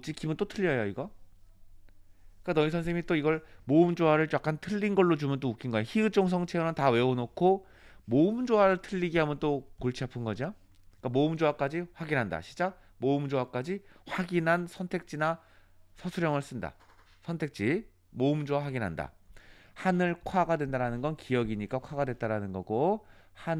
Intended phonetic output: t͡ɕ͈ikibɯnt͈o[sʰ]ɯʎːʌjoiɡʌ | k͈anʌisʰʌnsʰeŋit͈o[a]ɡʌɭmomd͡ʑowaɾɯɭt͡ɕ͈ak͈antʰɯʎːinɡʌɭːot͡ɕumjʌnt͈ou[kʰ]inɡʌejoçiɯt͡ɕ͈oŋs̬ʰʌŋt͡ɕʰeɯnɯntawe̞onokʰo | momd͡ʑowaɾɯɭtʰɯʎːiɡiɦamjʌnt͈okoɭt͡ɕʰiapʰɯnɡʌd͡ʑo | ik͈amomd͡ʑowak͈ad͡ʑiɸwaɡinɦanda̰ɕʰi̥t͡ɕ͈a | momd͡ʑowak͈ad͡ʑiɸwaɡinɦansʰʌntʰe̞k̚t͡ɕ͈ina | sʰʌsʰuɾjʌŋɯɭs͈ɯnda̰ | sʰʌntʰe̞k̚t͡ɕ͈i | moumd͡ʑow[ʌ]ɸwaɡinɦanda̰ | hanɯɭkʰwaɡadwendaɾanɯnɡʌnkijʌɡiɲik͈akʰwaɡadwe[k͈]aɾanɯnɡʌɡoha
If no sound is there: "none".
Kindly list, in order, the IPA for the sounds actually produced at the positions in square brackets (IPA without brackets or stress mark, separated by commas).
tʰ, i, kʰ, a, t͈